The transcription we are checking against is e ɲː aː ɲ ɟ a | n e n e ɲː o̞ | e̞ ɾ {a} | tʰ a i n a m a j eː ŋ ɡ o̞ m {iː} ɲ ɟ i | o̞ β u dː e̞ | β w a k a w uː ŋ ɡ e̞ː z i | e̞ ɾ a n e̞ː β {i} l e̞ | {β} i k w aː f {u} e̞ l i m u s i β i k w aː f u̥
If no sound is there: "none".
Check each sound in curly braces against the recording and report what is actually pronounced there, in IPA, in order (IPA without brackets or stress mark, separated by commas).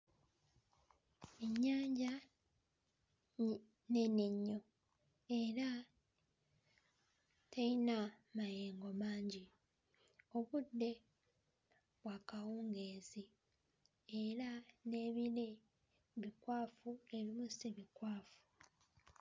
a, aː, i, β, u